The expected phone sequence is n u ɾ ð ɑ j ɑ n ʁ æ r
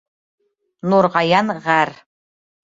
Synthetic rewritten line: n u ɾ ʁ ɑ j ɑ n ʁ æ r